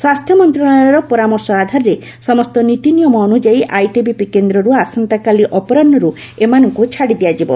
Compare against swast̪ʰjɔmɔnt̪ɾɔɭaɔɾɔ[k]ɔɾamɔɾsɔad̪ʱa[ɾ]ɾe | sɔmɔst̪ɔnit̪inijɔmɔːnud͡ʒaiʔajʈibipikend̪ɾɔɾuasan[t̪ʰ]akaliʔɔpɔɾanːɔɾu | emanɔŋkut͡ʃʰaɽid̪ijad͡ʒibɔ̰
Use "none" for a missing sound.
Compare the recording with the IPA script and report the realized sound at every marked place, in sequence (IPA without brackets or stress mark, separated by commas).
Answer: p, ɾ, t̪